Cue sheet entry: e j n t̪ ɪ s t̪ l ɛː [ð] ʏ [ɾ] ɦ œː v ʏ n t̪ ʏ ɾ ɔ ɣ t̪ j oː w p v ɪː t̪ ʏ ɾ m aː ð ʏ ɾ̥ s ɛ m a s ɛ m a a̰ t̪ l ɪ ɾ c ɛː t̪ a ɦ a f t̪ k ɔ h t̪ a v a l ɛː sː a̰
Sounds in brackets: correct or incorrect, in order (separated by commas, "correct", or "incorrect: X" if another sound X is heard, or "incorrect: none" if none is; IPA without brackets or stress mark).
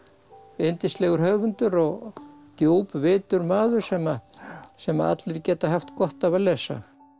incorrect: ɣ, correct